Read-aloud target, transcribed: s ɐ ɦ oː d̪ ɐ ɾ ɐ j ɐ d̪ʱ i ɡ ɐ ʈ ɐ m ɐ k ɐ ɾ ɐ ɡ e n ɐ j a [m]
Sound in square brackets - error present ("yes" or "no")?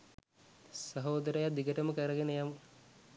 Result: no